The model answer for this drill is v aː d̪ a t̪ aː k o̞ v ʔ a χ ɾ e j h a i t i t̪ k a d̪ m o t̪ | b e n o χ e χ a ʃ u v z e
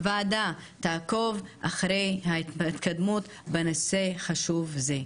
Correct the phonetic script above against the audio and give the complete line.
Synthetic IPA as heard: v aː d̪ a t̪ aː k o̞ v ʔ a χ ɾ e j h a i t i t̪ k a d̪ m u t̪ | b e n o s e χ a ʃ u v z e